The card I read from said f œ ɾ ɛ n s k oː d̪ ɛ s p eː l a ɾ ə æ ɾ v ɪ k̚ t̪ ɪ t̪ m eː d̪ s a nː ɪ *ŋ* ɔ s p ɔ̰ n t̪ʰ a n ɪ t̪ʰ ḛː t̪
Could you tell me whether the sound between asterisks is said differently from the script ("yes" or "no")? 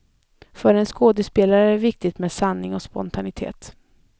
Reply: no